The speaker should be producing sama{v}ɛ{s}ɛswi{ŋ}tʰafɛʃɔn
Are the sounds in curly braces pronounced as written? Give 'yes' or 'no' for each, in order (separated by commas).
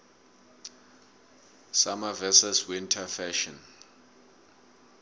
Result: yes, yes, no